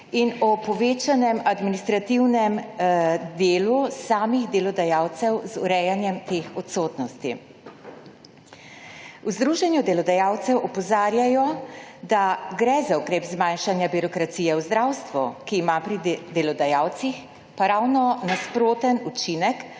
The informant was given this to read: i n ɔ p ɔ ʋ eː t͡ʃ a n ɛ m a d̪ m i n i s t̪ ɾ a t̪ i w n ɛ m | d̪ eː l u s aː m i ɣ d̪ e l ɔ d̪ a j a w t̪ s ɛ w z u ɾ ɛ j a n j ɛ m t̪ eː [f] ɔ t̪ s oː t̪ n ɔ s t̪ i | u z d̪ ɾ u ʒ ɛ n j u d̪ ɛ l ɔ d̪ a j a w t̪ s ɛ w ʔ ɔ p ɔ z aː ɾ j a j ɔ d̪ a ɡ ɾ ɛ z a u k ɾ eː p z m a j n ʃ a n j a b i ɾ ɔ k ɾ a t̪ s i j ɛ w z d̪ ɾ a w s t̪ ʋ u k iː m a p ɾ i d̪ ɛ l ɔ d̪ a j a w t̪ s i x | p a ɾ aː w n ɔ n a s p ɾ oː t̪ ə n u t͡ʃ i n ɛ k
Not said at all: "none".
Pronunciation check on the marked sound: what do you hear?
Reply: x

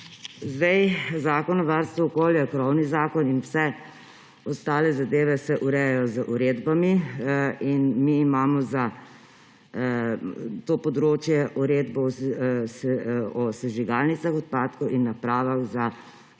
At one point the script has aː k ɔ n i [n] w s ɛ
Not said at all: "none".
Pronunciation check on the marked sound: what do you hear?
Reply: n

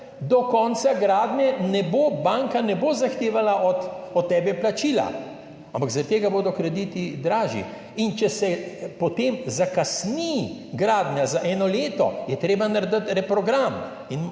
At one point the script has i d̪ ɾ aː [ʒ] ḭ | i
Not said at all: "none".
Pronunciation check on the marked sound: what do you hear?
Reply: ʒ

